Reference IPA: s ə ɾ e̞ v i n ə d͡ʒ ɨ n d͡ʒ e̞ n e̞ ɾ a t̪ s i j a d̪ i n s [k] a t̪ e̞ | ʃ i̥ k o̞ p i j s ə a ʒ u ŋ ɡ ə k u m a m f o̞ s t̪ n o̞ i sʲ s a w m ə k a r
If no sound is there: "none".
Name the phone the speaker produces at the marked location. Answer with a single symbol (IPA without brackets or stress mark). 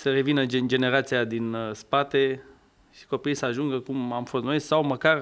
p